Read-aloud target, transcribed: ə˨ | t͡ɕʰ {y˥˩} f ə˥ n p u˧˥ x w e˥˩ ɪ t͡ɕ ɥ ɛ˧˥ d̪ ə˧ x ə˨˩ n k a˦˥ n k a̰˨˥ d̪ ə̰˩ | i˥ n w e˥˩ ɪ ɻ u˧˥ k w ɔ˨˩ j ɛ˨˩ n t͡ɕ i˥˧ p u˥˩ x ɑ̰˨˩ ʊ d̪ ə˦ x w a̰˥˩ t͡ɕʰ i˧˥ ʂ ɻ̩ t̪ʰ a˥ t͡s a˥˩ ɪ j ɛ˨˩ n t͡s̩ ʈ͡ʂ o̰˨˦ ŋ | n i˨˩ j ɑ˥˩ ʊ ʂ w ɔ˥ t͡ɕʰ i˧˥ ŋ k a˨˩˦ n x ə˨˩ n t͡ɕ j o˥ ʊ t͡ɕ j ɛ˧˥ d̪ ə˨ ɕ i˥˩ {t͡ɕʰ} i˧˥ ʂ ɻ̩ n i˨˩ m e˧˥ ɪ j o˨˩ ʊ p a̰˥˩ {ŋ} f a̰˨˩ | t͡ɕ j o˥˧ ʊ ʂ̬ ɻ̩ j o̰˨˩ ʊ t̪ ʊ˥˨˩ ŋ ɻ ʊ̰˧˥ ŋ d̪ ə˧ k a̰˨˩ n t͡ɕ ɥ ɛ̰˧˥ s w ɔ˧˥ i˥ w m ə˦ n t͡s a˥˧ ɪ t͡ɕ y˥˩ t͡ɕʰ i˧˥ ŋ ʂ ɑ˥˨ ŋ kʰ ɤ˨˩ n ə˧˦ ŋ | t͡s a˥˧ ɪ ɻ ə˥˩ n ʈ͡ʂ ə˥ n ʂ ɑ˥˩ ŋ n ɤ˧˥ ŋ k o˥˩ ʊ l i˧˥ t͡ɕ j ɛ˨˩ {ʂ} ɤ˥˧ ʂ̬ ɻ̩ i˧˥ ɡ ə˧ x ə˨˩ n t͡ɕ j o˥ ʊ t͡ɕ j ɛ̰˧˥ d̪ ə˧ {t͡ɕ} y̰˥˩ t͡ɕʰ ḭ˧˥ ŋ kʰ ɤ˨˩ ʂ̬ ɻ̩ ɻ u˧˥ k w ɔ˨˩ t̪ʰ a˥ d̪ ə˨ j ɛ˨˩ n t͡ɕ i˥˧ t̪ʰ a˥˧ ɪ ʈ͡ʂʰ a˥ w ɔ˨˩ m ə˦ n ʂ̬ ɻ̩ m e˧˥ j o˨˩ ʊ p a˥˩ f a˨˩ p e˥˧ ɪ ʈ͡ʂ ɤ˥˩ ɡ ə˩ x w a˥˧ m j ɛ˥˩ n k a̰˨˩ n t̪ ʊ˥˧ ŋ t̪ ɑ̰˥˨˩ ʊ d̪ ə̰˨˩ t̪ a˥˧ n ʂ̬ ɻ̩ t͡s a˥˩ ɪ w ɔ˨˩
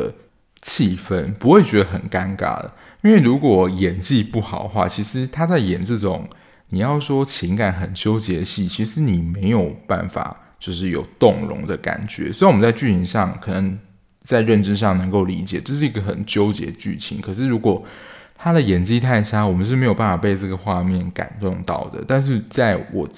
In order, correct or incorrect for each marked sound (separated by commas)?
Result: incorrect, correct, incorrect, incorrect, correct